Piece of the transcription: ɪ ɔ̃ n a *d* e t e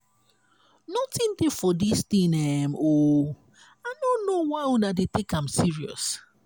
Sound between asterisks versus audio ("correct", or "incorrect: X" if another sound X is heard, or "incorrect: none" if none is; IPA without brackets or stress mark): correct